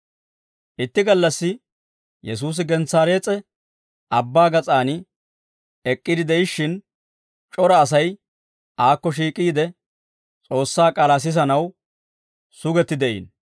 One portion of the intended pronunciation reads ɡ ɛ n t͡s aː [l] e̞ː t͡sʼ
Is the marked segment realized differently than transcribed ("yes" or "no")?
yes